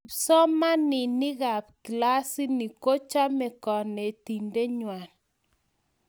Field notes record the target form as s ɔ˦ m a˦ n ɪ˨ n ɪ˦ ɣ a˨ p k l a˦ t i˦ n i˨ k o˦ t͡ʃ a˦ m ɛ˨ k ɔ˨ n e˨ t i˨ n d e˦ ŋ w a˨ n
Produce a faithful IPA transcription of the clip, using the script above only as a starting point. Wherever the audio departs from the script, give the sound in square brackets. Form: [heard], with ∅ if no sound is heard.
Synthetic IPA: s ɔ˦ m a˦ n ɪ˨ n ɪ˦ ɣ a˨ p k l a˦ [s] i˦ n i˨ k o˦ t͡ʃ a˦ m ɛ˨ k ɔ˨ n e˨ t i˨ n d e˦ [ɲ] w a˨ n